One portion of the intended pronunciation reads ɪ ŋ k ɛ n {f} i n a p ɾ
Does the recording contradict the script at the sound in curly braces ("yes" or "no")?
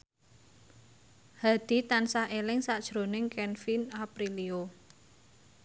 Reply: no